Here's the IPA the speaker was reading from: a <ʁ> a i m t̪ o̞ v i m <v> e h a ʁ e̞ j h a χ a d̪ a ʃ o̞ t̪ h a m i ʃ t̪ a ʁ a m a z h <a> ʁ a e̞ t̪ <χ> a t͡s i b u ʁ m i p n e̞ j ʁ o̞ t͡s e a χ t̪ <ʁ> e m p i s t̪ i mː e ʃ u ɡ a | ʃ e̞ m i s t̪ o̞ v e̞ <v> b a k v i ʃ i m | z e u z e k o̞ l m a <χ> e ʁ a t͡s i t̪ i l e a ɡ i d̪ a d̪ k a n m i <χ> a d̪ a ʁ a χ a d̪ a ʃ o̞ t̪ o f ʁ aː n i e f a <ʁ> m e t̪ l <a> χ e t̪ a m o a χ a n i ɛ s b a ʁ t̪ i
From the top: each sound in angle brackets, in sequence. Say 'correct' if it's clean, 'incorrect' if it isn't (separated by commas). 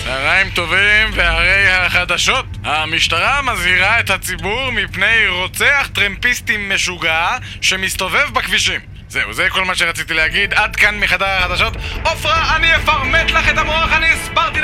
correct, correct, incorrect, incorrect, correct, correct, incorrect, correct, correct, correct